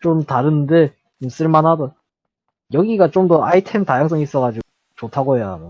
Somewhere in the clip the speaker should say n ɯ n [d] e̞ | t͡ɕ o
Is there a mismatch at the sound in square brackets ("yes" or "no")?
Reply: no